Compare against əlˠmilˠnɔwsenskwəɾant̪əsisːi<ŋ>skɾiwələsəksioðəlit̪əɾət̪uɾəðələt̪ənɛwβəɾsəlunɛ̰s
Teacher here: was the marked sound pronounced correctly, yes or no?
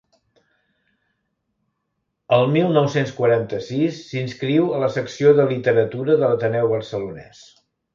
no